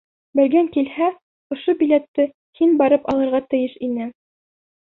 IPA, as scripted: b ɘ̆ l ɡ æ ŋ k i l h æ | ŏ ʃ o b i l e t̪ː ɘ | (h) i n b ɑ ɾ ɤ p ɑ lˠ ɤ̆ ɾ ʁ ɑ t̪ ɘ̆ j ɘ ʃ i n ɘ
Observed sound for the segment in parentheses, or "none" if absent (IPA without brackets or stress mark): h